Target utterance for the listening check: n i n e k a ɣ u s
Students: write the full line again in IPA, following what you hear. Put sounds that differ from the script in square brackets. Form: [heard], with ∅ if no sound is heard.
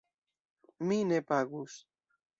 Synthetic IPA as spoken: [m] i n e [p] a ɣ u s